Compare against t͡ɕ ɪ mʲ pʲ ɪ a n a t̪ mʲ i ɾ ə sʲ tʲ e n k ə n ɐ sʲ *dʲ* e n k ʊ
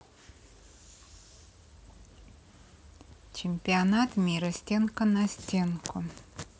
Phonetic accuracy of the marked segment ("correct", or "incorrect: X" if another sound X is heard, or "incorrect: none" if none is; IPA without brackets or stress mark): incorrect: tʲ